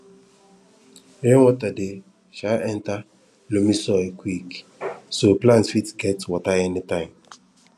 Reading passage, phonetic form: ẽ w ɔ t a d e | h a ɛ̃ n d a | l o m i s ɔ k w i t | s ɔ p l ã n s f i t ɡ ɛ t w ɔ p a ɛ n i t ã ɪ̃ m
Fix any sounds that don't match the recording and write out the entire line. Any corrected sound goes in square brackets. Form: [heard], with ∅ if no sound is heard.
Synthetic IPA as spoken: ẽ w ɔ t a d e | [ʃ] a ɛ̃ n [t] a | l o m i s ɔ k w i [k] | s [o] p l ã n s f i t ɡ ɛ t w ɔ [t] a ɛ n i t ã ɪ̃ m